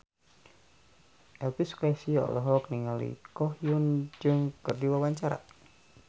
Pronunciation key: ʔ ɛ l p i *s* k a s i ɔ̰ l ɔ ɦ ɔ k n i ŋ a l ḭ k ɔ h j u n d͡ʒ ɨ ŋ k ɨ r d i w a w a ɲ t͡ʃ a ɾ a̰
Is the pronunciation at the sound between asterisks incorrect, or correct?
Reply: correct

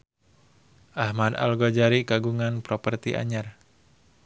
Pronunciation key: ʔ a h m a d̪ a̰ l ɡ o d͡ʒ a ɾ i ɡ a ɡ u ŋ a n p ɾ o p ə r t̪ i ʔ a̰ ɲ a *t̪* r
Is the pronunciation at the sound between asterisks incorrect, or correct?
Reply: incorrect: none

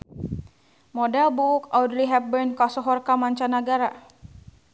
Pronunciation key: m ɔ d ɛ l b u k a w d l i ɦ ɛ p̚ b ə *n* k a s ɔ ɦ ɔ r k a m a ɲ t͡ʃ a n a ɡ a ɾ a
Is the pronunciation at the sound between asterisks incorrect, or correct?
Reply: correct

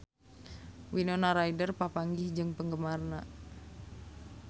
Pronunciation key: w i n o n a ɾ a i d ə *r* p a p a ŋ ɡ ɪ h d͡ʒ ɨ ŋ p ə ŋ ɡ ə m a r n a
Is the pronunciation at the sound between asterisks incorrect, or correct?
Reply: correct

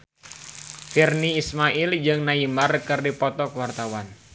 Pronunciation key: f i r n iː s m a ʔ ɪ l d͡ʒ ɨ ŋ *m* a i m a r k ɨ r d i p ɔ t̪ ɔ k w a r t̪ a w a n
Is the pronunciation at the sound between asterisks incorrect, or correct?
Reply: incorrect: n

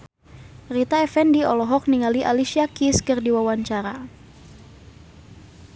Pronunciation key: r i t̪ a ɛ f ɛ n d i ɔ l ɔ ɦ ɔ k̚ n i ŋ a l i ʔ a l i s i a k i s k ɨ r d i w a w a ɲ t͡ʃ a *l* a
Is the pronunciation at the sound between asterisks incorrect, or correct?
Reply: incorrect: ɾ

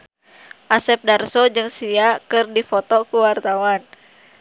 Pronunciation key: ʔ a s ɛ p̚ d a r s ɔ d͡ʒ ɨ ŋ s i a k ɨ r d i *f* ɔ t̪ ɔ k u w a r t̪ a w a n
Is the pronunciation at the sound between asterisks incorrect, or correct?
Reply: correct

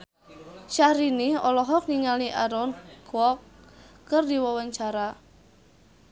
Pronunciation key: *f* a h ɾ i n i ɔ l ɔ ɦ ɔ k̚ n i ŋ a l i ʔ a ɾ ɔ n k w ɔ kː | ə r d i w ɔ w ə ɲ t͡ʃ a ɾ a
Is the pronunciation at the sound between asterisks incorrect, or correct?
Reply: incorrect: ʃ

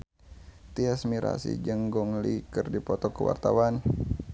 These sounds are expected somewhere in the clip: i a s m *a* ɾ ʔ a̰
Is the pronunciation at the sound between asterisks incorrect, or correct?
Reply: incorrect: i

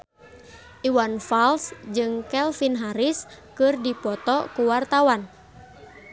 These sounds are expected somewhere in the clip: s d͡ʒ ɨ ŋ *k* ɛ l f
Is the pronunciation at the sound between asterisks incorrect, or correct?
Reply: correct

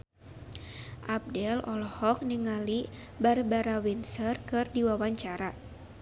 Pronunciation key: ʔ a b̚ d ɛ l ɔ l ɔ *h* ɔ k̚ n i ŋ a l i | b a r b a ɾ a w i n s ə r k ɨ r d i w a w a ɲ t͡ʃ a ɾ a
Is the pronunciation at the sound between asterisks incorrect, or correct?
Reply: correct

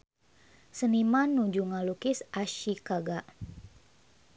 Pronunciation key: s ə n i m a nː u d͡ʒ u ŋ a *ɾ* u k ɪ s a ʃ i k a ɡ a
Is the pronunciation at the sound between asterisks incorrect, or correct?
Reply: incorrect: l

